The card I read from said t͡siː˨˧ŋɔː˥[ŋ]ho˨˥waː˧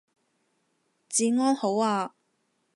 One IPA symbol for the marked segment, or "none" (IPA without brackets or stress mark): n